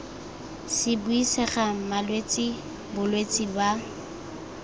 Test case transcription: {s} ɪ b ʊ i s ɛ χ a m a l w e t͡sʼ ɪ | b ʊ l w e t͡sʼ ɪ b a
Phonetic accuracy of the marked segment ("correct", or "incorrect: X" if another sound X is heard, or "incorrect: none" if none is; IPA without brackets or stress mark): correct